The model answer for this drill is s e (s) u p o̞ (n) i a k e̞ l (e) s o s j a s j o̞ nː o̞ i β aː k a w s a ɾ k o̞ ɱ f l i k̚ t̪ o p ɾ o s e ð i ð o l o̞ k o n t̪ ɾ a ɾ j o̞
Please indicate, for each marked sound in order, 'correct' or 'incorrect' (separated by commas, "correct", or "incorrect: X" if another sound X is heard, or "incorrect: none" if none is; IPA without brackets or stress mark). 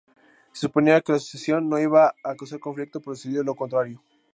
correct, correct, incorrect: a